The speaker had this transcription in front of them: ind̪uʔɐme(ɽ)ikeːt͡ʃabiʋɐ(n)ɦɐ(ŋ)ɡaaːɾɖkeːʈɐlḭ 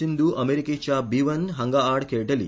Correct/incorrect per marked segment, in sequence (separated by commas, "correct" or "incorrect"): incorrect, correct, correct